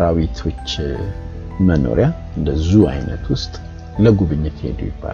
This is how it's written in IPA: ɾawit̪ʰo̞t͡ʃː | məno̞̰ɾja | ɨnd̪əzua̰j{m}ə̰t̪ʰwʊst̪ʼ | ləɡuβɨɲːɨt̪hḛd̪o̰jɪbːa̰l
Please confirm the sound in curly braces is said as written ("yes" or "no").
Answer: no